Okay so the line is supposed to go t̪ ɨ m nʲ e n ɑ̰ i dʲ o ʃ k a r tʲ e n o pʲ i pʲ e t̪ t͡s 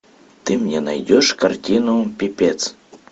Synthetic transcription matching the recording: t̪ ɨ m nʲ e n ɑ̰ j dʲ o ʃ k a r tʲ i n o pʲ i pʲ e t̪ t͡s